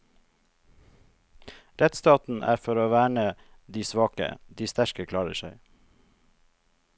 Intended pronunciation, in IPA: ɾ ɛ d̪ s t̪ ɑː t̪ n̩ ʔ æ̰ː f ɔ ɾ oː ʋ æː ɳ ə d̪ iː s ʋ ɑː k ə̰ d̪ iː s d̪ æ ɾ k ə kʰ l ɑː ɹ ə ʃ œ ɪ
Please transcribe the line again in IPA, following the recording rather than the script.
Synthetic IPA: ɾ ɛ t̪ s t̪ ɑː t̪ n̩ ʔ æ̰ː f ɔ ɾ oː ʋ æː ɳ ə d̪ iː s ʋ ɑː k ə̰ d̪ iː s t̪ æ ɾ k ə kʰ l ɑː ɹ ə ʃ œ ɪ